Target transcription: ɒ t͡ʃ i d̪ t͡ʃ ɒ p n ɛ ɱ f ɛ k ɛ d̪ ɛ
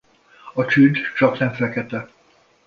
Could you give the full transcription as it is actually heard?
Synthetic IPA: ɒ t͡ʃ y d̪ t͡ʃ ɒ k n ɛ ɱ f ɛ k ɛ t̪ ɛ